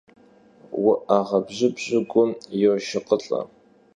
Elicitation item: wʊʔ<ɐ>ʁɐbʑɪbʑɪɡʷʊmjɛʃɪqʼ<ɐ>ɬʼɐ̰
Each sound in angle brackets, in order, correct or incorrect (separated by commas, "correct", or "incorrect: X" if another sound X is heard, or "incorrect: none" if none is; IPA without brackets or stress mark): incorrect: a, incorrect: ə